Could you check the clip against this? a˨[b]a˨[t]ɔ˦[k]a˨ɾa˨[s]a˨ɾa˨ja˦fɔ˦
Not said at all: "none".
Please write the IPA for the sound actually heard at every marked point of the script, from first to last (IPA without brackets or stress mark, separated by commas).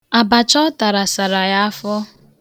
b, t͡ʃ, t, s